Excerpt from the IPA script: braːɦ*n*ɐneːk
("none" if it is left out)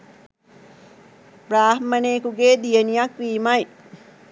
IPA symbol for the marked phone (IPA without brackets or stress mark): m